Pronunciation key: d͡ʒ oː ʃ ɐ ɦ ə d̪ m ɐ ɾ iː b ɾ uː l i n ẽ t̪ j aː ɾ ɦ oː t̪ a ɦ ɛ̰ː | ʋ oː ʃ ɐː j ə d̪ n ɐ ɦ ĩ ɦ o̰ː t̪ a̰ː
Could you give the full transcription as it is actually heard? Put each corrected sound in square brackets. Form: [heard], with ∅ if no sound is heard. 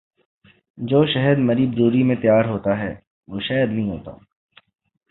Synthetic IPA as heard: d͡ʒ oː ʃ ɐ ɦ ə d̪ m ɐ ɾ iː b ɾ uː [ɾ] i [m] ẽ t̪ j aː ɾ ɦ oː t̪ a ɦ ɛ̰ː | ʋ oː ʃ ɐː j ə d̪ n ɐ ɦ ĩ ɦ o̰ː t̪ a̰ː